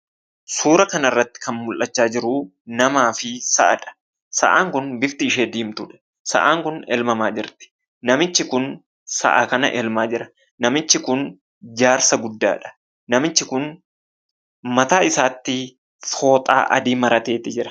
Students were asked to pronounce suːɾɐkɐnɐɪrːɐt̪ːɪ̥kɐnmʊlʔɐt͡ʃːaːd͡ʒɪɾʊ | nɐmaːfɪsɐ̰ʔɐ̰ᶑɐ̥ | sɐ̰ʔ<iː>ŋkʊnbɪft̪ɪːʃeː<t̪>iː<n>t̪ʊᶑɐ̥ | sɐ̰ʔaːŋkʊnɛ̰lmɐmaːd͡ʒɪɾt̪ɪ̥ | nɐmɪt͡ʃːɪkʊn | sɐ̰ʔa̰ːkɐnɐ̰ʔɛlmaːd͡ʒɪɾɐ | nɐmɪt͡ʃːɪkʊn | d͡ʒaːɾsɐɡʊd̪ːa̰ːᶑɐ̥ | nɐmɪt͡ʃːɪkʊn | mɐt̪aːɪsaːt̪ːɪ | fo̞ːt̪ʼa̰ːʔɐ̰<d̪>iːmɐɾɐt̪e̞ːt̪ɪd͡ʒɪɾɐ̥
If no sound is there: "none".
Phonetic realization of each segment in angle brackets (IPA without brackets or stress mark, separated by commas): aː, d̪, m, d̪